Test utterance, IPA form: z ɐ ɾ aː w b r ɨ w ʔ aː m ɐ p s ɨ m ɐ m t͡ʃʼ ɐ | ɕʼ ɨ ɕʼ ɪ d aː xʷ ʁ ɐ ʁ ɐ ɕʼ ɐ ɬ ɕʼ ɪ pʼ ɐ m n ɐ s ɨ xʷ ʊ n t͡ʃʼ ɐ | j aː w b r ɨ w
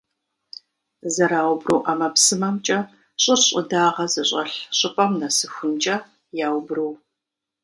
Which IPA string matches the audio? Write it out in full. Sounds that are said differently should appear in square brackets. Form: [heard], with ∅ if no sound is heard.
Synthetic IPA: z ɐ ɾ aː w b r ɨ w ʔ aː m ɐ p s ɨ m ɐ m t͡ʃʼ ɐ | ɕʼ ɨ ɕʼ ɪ d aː [∅] ʁ ɐ [z] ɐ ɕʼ ɐ ɬ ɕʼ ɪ pʼ ɐ m n ɐ s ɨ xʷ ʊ n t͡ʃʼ ɐ | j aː w b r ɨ w